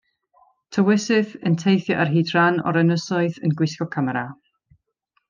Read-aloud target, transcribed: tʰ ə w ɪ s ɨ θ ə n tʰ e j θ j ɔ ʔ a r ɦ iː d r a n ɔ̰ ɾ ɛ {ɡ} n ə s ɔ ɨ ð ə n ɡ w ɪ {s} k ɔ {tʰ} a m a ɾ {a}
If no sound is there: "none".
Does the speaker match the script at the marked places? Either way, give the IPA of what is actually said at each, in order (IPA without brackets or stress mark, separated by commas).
none, s, kʰ, a